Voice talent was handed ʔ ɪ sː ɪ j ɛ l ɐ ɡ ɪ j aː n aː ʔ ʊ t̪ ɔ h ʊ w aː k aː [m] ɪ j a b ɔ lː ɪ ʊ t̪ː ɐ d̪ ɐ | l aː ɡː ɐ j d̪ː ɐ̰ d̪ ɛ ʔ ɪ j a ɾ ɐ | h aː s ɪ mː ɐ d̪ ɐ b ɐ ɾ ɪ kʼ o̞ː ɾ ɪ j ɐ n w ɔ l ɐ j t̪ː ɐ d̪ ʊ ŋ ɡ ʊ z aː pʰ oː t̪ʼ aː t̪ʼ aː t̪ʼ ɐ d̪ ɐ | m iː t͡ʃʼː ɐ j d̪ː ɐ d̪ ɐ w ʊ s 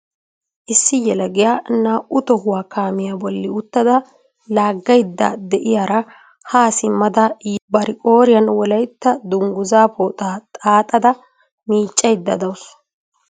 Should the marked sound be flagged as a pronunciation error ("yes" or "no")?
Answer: no